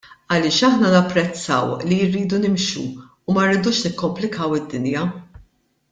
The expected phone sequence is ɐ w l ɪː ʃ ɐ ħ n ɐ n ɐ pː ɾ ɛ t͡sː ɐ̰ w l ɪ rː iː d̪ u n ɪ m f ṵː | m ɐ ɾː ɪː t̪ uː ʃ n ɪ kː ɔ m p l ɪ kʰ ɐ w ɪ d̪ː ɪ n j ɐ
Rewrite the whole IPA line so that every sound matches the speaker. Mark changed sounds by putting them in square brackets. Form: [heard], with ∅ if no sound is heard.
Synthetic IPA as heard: ɐ [∅] l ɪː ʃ ɐ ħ n ɐ n ɐ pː ɾ ɛ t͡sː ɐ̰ w l [i] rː iː d̪ u n ɪ m [ʃ] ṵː | m ɐ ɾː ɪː [d̪] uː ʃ n ɪ kː ɔ m p l ɪ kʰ ɐ w ɪ d̪ː ɪ n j ɐ